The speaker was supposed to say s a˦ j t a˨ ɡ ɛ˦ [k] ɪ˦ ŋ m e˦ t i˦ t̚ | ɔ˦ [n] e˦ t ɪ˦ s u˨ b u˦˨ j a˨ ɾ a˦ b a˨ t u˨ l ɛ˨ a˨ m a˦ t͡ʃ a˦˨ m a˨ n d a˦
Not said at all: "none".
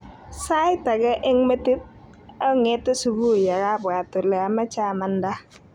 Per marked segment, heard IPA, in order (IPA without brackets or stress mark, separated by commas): ʔ, ŋ